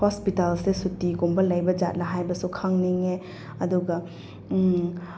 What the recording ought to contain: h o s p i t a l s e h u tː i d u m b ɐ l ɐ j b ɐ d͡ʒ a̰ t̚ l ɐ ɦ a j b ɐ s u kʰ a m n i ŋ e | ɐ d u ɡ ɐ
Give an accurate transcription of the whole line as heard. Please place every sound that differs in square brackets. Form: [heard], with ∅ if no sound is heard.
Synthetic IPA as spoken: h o s p i t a l s e [s] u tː i [ɡ] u m b ɐ l ɐ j b ɐ d͡ʒ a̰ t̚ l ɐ ɦ a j b ɐ s u kʰ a [ŋ] n i ŋ e | ɐ d u ɡ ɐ